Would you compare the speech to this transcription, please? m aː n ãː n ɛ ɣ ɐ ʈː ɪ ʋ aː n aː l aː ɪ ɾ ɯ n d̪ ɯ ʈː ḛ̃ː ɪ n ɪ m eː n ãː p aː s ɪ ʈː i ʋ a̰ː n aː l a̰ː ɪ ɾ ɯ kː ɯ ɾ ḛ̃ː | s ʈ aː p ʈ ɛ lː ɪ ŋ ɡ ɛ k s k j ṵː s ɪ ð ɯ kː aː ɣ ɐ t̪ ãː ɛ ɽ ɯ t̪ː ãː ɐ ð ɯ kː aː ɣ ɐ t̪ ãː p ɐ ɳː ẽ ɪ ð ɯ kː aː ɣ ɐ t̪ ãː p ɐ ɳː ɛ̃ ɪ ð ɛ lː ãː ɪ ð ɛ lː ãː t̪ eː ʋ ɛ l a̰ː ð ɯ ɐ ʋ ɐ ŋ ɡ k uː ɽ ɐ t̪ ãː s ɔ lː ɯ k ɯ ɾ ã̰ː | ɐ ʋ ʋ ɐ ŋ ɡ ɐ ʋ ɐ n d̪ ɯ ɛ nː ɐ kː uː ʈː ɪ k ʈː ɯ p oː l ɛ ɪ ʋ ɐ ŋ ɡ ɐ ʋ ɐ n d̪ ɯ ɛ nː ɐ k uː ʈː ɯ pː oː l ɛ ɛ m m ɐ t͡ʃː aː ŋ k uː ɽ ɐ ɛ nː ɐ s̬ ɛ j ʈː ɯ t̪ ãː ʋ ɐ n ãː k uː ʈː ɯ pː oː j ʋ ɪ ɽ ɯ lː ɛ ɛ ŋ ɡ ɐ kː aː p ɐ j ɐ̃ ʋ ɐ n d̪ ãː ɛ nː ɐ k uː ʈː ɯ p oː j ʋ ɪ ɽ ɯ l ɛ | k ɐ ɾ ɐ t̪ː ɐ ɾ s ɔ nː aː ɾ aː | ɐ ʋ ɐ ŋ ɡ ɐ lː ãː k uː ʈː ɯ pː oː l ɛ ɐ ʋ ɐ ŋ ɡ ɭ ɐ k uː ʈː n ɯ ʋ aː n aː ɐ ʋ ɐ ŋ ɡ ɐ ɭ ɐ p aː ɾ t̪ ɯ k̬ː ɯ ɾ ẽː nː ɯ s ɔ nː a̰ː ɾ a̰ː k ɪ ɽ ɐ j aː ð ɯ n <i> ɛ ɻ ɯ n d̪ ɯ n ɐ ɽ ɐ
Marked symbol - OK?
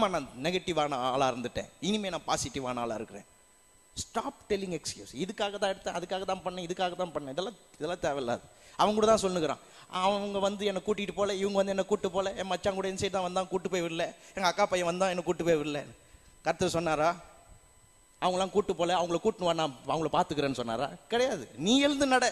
no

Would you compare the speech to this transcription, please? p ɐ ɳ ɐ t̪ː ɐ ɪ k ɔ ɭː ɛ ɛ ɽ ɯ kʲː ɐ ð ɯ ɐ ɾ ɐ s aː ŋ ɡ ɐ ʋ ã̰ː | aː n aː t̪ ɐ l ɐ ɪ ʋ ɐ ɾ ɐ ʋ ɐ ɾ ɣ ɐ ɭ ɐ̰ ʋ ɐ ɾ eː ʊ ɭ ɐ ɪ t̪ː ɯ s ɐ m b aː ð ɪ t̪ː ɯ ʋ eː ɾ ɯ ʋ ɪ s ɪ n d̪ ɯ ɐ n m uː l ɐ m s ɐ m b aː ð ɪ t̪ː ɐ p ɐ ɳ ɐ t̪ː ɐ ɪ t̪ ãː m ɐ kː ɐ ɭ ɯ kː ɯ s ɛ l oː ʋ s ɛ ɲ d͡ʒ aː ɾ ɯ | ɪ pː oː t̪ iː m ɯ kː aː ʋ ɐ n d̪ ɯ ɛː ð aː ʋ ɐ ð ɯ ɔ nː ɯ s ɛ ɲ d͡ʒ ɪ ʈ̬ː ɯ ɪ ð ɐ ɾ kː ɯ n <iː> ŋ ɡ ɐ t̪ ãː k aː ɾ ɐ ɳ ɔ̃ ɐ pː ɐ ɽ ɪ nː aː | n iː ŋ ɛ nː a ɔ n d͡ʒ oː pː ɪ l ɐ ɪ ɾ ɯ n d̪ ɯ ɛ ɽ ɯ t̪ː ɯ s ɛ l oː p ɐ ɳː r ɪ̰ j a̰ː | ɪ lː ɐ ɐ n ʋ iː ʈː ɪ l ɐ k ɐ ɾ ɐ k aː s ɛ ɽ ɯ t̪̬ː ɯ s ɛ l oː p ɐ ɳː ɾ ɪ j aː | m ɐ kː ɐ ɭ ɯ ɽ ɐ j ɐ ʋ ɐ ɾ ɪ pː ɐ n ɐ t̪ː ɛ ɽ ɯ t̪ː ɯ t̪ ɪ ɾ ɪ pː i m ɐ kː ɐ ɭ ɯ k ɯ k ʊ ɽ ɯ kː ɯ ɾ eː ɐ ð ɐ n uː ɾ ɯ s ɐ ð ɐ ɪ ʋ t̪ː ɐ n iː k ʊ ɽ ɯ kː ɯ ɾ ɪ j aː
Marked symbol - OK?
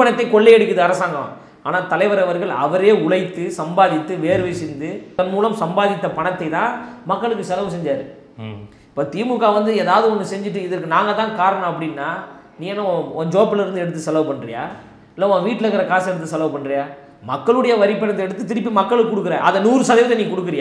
no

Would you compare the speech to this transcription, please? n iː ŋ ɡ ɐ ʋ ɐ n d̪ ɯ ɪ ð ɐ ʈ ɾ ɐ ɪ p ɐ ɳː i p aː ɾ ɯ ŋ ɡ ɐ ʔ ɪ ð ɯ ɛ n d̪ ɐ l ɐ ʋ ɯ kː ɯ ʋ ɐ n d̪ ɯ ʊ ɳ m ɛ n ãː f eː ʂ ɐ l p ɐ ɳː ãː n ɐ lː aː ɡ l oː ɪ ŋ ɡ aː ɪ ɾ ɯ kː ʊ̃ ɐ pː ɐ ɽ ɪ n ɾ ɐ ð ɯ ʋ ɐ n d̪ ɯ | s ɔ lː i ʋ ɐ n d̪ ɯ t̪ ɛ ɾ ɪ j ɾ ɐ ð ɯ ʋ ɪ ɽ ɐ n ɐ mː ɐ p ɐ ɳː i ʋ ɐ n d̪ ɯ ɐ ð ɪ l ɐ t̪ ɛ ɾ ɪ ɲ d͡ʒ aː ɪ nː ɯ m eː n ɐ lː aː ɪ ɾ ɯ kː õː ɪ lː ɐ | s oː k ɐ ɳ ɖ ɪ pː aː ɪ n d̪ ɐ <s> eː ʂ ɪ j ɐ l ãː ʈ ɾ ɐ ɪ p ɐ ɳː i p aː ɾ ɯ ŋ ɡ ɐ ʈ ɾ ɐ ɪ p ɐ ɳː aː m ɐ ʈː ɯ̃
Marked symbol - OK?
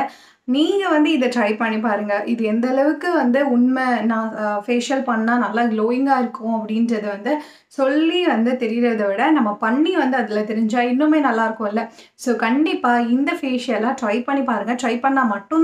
no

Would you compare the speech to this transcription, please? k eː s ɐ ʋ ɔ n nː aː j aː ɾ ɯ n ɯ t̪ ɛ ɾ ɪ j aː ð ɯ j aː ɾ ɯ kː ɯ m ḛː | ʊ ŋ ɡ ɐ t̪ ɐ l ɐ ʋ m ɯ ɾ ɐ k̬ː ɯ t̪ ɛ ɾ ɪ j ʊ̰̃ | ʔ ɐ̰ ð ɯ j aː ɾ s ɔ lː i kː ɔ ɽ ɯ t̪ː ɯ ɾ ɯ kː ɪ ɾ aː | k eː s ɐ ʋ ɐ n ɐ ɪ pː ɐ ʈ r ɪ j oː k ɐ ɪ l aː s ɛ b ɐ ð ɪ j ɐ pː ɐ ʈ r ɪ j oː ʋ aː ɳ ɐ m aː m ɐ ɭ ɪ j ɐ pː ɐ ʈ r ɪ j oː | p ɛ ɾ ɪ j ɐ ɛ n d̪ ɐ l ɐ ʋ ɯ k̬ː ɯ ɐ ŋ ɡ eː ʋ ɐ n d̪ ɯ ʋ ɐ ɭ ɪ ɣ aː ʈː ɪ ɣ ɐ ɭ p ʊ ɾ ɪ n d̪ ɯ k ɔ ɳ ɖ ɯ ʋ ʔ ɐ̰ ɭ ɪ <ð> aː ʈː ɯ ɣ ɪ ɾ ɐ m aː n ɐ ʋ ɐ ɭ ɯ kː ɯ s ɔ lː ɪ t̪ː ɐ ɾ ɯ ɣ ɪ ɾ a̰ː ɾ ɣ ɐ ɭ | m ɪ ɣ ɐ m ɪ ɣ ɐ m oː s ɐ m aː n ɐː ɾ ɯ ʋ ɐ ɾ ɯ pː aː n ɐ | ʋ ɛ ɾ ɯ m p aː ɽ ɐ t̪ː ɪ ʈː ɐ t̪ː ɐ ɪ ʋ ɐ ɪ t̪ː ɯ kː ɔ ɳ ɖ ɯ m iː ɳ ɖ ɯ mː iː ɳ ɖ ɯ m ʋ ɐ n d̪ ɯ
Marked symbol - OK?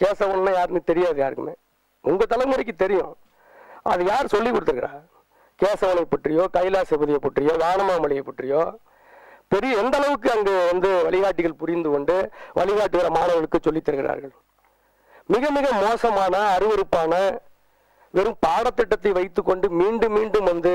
no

